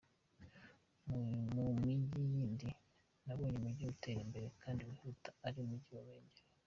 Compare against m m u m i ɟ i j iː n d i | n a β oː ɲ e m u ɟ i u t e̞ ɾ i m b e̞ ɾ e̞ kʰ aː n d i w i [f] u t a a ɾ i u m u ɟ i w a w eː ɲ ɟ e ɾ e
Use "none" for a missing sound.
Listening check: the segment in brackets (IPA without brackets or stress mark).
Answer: h